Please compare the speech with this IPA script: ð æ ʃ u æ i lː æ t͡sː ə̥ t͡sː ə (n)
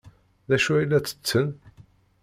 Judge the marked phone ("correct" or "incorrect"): correct